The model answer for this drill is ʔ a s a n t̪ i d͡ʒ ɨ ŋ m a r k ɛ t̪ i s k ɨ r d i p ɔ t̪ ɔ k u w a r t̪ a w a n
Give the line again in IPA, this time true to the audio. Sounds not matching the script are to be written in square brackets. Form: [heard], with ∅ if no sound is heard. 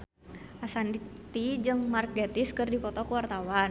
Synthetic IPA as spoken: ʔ a s a n t̪ i d͡ʒ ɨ ŋ m a r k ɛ t̪ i s k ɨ r d i p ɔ t̪ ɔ k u w a r t̪ a w a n